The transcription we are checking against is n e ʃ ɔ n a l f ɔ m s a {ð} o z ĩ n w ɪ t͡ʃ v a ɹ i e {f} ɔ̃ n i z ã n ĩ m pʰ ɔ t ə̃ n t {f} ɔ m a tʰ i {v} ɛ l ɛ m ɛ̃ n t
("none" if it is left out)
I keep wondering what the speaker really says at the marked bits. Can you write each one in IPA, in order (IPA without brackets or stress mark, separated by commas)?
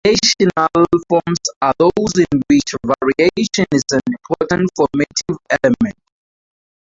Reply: ð, ʃ, f, v